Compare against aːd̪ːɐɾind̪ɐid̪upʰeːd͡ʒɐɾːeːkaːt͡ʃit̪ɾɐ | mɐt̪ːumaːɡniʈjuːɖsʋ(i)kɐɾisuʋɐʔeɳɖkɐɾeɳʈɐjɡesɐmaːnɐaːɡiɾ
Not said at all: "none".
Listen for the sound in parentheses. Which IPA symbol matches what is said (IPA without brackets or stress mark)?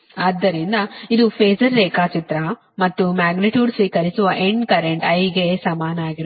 iː